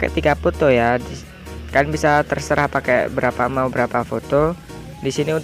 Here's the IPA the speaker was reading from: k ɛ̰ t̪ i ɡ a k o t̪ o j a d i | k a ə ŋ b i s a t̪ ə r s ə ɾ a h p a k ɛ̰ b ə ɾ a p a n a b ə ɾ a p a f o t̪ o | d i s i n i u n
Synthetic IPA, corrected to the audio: k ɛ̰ t̪ i ɡ a p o t̪ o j a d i | k a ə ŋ b i s a t̪ ə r s ə ɾ a h p a k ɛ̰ b ə ɾ a p a m a b ə ɾ a p a f o t̪ o | d i s i n i u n